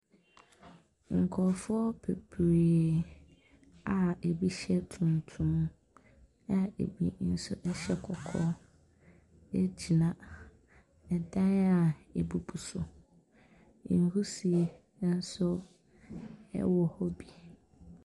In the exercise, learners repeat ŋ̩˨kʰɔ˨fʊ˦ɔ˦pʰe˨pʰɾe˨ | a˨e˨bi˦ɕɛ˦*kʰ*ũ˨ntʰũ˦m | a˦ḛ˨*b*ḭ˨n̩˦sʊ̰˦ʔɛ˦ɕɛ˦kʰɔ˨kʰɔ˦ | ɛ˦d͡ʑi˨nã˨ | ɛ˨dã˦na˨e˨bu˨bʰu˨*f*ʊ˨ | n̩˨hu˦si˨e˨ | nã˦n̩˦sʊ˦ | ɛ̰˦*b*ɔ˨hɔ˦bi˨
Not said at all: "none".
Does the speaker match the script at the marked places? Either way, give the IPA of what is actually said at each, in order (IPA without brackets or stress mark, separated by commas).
tʰ, b, s, w